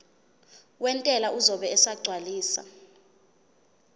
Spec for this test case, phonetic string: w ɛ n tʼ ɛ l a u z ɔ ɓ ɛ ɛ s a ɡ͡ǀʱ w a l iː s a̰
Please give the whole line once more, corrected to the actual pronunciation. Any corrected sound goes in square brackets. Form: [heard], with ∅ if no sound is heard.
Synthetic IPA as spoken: w ɛ n tʼ ɛ l a u z ɔ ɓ ɛ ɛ s a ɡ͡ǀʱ w a l iː s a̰